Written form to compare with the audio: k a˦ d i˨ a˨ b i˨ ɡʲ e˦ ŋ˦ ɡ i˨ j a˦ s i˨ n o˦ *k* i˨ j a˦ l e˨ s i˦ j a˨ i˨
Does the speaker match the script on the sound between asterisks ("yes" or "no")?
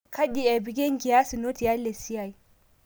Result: no